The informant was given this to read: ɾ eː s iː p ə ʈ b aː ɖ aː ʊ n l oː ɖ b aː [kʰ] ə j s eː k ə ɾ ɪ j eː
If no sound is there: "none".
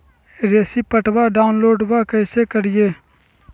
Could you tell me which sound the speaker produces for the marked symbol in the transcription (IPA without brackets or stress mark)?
k